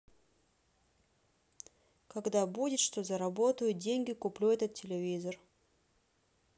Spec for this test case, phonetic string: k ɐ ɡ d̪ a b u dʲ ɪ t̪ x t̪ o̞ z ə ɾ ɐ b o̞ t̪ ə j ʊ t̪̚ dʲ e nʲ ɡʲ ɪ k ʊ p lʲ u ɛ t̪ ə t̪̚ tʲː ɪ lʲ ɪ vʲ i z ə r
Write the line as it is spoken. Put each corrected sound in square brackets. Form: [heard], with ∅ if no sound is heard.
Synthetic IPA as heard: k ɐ ɡ d̪ a b u dʲ ɪ t̪ [ʂ] t̪ o̞ z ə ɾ ɐ b o̞ t̪ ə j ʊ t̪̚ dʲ e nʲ ɡʲ ɪ k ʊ p lʲ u ɛ t̪ ə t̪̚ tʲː ɪ lʲ ɪ vʲ i z ə r